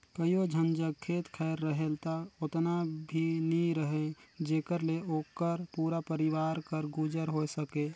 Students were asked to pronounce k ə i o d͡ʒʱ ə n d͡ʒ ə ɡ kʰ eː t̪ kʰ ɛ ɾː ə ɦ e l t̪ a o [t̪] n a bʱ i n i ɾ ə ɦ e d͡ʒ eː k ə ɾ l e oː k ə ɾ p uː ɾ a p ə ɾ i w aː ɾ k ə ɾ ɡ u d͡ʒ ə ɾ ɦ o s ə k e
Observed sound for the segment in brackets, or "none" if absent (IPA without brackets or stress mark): t̪